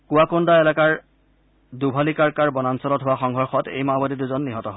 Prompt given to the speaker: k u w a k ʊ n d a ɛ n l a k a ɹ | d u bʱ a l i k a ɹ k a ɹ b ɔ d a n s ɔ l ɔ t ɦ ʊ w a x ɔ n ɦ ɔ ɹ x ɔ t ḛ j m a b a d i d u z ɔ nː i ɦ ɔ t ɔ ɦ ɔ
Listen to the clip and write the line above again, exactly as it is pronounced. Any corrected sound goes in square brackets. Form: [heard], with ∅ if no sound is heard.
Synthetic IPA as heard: k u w a k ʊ n d a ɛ [∅] l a k a ɹ | d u bʱ a l i k a ɹ k a ɹ b ɔ [n] a n s ɔ l ɔ t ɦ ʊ w a x ɔ [ŋ] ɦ ɔ ɹ x ɔ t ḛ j m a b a d i d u z ɔ nː i ɦ ɔ t ɔ ɦ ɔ